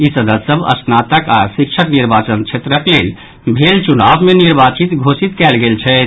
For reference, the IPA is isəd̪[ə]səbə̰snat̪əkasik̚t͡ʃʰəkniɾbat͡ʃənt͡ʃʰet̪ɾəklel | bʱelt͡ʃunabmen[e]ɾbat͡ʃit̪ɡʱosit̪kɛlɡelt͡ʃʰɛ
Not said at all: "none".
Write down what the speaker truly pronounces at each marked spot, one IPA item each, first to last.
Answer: ə, i

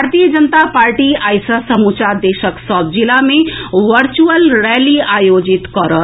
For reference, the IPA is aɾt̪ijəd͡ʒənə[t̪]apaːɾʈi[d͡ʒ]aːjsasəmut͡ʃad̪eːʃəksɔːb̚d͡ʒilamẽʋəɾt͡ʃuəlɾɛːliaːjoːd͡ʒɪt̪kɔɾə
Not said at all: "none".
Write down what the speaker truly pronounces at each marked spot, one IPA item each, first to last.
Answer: t̪, none

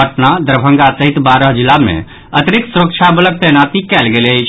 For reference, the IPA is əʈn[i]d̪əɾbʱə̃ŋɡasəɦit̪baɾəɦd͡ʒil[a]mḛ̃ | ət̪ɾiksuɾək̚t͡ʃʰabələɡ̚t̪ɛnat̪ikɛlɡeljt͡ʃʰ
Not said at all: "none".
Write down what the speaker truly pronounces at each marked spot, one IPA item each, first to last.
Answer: a, a

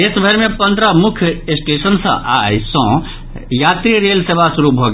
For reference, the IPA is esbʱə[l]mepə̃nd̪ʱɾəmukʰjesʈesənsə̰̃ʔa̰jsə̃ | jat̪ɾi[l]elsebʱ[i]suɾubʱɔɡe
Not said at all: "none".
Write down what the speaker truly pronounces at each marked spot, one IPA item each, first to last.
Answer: ɾ, ɾ, a

